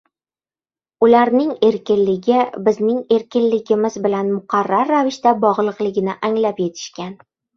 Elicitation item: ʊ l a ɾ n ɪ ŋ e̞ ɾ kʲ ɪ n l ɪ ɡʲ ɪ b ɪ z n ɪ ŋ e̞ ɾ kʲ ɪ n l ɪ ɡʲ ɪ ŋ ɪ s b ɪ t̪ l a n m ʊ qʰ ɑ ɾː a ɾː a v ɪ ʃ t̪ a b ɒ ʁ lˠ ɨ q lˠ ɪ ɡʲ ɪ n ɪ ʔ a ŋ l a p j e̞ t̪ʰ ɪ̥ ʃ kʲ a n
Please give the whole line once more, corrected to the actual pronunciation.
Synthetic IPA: ʊ l a ɾ n ɪ ŋ e̞ ɾ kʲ ɪ n l ɪ ɡʲ ɪ b ɪ z n ɪ ŋ e̞ ɾ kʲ ɪ n l ɪ ɡʲ ɪ m ɪ z b ɪ l a n m ʊ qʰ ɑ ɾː a ɾː a v ɪ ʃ t̪ a b ɒ ʁ lˠ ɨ q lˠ ɪ ɡʲ ɪ n ɪ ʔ a ŋ l a p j e̞ t̪ʰ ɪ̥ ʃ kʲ a n